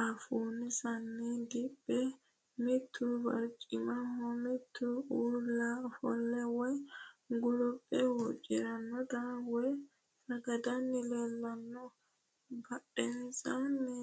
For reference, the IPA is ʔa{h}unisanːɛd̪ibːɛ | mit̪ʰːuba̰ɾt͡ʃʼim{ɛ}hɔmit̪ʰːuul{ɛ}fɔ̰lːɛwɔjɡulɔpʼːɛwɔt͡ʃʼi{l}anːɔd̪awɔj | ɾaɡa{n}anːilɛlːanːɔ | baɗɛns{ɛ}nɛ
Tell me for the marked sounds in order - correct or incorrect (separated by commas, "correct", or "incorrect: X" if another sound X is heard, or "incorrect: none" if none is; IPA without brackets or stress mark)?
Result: incorrect: f, incorrect: a, incorrect: a, incorrect: ɾ, incorrect: d, incorrect: a